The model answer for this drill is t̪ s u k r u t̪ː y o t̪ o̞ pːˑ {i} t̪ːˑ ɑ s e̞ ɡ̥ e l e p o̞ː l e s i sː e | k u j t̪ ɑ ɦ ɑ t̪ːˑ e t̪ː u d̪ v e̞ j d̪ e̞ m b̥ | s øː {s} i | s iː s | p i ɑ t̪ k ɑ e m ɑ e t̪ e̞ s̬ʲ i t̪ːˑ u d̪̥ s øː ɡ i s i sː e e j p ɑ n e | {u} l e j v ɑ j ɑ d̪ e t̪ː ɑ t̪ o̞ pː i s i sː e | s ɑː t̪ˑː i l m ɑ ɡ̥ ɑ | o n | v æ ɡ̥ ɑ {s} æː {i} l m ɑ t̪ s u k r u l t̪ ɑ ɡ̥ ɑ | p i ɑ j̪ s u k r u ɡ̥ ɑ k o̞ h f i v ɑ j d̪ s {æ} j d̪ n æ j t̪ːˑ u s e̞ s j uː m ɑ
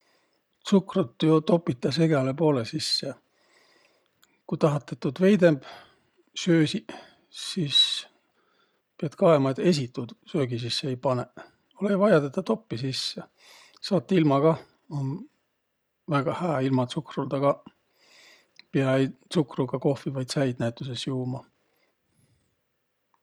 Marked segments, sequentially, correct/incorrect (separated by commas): correct, correct, incorrect, incorrect, correct, correct